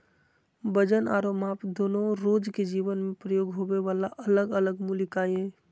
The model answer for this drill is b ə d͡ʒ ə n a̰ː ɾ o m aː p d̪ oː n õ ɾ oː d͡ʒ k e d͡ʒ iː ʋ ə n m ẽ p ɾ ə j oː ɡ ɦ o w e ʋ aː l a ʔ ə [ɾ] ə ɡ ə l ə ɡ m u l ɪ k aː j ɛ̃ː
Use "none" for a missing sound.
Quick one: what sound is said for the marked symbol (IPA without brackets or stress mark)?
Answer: l